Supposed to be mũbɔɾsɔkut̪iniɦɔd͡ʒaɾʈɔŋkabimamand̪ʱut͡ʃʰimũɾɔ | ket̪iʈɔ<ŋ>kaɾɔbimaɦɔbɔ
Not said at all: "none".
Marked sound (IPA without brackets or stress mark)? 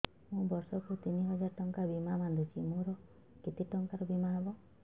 ŋ